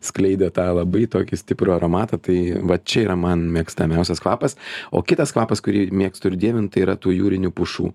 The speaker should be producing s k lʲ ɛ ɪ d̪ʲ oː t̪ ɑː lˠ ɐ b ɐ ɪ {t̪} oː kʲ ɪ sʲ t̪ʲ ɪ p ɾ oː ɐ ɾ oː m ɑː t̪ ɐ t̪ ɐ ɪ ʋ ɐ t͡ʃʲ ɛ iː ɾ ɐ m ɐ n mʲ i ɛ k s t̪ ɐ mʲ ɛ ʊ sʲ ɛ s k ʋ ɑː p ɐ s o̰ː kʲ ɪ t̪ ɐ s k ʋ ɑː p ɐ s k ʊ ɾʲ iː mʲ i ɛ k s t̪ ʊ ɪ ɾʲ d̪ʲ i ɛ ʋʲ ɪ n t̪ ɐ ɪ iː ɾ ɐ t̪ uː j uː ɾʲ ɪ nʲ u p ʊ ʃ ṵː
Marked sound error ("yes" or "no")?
no